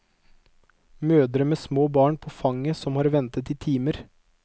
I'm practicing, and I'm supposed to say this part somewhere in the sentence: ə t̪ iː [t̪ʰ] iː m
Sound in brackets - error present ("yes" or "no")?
no